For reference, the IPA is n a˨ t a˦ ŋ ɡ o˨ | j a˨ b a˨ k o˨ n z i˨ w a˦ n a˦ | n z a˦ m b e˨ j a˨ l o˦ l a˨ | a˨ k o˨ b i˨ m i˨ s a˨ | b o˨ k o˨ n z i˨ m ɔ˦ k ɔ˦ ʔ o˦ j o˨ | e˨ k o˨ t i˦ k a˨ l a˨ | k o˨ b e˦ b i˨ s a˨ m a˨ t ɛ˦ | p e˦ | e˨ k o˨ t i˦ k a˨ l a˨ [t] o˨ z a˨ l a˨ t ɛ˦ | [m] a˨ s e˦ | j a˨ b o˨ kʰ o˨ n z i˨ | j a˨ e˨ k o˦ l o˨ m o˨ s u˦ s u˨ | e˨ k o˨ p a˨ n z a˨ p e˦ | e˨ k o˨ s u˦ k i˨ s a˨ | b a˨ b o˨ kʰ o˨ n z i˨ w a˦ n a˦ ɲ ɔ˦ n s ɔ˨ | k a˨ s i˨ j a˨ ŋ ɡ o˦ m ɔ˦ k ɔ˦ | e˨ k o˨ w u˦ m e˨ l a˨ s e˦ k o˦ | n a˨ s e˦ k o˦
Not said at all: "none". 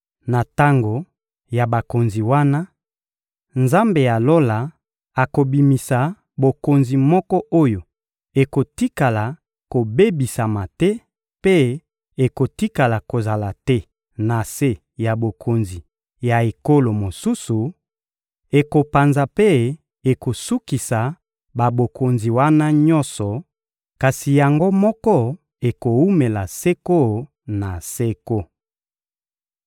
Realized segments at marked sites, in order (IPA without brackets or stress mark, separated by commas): k, n